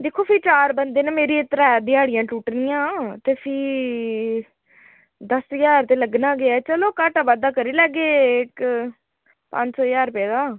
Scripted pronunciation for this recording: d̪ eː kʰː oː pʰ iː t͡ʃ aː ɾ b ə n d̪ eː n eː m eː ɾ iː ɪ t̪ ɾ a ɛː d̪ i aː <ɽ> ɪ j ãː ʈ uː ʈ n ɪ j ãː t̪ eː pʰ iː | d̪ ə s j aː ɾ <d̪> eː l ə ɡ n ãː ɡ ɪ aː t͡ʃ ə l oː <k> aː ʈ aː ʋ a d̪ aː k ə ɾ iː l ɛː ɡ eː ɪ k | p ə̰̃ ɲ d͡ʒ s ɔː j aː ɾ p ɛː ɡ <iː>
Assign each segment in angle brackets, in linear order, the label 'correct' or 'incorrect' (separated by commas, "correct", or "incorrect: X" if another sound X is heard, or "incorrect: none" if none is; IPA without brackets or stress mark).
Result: correct, incorrect: t̪, correct, incorrect: aː